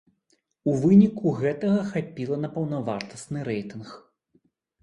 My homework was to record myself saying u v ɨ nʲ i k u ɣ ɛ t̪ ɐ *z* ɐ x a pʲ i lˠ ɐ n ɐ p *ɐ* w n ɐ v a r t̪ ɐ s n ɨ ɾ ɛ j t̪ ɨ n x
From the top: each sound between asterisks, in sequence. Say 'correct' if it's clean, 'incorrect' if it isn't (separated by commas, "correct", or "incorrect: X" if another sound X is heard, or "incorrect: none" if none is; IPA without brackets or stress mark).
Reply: incorrect: ɣ, correct